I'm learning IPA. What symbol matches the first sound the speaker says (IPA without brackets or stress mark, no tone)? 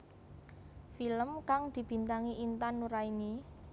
f